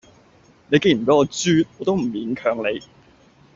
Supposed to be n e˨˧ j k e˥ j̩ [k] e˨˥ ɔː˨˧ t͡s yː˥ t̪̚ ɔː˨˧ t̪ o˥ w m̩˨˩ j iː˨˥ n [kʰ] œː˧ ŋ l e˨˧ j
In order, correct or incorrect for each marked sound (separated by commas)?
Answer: incorrect, correct